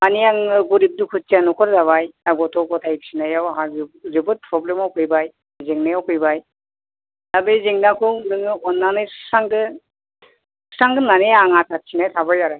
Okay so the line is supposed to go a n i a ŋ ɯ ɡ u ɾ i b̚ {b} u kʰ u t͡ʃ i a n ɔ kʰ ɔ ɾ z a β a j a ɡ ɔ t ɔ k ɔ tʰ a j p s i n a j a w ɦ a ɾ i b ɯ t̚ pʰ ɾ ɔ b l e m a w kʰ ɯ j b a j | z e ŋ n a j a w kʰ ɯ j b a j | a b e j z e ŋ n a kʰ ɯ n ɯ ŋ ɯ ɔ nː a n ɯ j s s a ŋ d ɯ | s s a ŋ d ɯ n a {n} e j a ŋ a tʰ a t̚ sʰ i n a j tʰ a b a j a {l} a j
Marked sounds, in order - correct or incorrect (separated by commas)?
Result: incorrect, correct, incorrect